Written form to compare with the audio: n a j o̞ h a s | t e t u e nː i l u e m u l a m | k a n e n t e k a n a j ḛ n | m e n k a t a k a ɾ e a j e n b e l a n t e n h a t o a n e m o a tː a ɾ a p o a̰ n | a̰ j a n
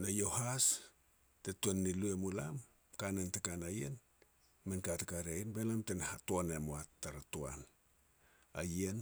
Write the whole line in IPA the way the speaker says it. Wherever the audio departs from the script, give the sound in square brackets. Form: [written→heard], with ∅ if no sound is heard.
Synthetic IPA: n a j o̞ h a s | t e t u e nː i l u e m u l a m | k a n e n t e k a n a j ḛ n | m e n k a t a k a ɾ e a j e n b e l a [n→m] t e n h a t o a n e m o a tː a ɾ a [p→t] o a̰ n | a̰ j [a→e] n